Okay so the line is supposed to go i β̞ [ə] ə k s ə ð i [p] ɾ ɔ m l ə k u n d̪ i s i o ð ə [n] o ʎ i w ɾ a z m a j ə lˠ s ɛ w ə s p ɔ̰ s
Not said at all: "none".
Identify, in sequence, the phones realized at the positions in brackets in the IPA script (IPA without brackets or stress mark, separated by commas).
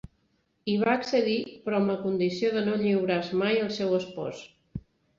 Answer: a, p, n